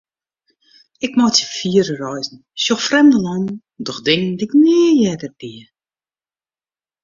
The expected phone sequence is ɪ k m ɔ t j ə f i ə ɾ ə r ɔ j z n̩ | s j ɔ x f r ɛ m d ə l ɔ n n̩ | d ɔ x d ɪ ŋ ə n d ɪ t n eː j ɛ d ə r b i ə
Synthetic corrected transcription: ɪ k m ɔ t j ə f i ə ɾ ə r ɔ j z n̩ | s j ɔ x f r ɛ m d ə l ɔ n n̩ | d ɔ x d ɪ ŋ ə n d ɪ k n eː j ɛ d ə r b i ə